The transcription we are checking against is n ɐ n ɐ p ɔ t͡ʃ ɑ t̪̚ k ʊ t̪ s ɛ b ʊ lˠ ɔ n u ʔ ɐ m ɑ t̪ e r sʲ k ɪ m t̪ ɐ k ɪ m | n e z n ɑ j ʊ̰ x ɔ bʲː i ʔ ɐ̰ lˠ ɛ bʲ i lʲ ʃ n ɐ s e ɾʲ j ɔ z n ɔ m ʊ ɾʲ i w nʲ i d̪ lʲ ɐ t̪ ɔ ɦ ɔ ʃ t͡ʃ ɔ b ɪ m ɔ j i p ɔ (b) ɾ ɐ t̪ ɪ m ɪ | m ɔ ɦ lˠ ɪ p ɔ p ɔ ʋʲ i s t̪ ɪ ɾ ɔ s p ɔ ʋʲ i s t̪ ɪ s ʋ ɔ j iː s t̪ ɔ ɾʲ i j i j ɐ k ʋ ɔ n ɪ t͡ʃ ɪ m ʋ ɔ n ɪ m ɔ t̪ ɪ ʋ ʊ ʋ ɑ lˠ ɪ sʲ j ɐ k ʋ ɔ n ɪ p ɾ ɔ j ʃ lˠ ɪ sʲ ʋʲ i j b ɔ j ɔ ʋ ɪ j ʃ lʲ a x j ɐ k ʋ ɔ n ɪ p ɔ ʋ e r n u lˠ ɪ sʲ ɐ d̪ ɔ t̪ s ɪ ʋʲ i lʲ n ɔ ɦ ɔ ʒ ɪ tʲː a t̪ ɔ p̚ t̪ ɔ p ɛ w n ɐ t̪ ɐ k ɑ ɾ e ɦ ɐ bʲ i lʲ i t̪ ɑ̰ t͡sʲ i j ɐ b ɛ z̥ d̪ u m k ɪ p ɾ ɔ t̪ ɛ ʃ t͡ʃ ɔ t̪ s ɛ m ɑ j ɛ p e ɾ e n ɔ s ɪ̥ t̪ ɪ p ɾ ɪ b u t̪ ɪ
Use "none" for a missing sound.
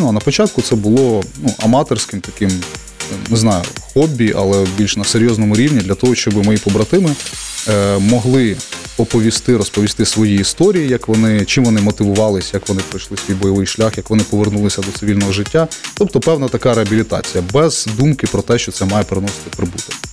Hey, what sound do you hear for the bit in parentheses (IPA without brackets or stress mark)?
b